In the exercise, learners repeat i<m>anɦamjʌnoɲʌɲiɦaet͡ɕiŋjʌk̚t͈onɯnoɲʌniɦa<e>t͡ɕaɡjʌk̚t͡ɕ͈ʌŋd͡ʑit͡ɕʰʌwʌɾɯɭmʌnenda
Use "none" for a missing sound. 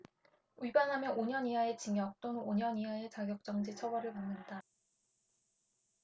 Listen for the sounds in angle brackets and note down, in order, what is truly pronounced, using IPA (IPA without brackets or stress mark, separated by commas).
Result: b, e